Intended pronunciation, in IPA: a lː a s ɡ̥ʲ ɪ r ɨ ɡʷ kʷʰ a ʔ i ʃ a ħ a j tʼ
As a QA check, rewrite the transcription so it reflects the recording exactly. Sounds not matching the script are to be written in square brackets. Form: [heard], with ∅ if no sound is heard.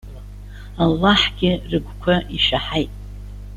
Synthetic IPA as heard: a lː a [ħ] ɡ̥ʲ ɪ r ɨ ɡʷ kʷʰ a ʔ i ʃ a ħ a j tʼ